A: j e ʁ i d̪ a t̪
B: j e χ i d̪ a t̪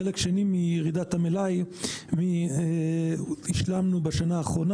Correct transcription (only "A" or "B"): A